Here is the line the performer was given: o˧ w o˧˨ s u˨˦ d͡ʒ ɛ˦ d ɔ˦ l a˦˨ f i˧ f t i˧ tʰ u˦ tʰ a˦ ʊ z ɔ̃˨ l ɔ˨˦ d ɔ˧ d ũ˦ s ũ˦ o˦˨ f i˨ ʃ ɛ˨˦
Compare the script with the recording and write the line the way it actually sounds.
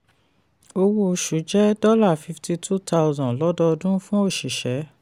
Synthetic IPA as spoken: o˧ w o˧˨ ʃ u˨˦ d͡ʒ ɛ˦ d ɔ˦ l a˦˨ f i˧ f t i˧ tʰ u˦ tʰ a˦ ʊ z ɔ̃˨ l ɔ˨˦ d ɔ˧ d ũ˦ f ũ˦ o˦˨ ʃ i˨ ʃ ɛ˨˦